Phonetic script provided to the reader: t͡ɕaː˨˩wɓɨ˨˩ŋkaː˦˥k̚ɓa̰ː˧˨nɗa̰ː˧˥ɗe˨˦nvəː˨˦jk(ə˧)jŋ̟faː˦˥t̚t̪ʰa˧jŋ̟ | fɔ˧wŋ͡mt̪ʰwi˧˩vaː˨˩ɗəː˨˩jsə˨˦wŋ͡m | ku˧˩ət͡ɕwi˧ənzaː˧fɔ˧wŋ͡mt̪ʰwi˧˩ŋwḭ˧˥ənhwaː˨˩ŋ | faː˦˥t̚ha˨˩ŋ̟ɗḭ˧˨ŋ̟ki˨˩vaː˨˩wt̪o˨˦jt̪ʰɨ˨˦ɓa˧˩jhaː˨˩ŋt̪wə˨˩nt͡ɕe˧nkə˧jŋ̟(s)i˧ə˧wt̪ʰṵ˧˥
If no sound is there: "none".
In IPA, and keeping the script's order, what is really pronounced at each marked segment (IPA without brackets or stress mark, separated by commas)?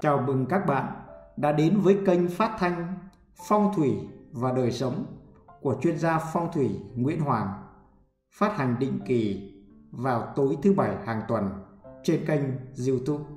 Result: ə˧, z